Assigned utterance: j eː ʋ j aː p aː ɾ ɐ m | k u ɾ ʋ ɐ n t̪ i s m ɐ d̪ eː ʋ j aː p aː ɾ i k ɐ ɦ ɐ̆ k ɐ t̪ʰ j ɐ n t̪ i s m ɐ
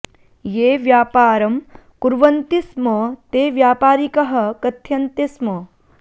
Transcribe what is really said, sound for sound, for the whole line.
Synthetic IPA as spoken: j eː ʋ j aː p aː ɾ ɐ m | k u ɾ ʋ ɐ n t̪ i s m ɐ t̪ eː ʋ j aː p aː ɾ i k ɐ ɦ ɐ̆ k ɐ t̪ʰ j ɐ n t̪ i s m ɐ